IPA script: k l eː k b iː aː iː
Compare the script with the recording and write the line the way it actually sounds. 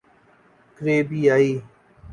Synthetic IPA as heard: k ɾ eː b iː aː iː